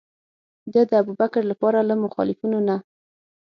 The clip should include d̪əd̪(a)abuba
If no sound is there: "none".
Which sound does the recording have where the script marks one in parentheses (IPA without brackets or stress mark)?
ə